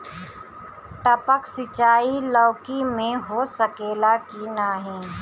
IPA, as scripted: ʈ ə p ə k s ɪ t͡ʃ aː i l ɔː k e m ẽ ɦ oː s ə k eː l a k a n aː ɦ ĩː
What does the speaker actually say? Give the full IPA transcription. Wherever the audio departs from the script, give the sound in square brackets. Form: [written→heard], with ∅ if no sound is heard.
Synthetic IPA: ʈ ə p ə k s ɪ t͡ʃ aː i l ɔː k [e→i] m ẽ ɦ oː s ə k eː l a k [a→i] n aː ɦ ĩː